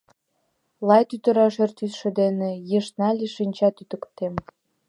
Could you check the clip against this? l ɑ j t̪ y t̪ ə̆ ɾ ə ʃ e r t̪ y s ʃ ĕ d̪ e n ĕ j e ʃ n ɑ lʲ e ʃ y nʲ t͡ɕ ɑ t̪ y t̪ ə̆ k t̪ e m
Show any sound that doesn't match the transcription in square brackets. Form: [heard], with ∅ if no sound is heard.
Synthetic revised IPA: l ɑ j t̪ y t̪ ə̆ ɾ [ɑ] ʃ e r t̪ y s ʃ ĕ d̪ e n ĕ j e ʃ n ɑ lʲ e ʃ [i] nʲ t͡ɕ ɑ t̪ y t̪ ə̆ k t̪ e m